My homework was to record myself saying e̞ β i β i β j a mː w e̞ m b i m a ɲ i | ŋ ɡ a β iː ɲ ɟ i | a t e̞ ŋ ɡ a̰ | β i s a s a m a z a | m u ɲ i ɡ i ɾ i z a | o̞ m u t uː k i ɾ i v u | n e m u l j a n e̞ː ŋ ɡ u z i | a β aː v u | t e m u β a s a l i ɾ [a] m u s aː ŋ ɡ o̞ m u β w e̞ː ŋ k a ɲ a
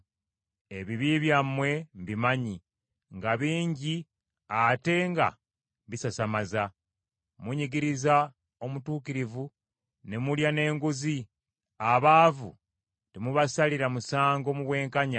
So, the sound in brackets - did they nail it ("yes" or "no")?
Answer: yes